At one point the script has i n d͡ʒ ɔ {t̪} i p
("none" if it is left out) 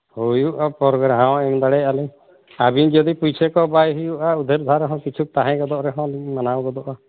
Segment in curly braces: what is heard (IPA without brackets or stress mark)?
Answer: d̪